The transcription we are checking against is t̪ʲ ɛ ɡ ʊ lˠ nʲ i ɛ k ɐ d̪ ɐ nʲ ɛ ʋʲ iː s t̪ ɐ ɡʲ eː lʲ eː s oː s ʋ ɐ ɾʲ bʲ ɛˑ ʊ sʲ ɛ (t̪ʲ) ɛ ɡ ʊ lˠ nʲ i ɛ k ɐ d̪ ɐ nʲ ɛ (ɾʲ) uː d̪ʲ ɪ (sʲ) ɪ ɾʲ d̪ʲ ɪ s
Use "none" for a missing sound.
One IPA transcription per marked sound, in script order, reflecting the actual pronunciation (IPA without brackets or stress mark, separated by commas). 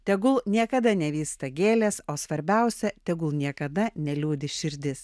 t̪ʲ, lʲ, ʃʲ